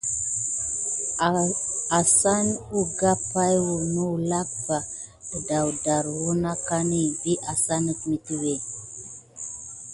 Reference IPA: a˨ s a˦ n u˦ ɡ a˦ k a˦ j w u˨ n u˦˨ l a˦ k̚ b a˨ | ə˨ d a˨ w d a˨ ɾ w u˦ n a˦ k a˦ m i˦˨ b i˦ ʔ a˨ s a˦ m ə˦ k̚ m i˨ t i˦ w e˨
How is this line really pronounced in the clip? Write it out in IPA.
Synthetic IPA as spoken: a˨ s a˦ n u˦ ɡ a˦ p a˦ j w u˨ n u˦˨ l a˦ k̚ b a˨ | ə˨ d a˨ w d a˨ ɾ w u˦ n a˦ k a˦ n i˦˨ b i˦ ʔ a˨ s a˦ n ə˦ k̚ m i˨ t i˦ w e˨